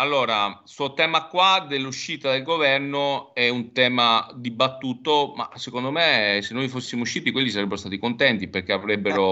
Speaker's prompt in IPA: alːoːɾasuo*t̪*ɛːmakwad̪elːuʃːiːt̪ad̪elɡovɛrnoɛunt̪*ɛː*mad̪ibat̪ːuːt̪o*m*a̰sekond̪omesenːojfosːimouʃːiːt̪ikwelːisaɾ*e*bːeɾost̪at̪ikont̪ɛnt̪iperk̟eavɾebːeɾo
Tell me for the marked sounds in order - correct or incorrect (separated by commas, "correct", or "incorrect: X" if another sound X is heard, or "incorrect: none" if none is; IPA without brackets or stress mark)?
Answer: correct, correct, correct, correct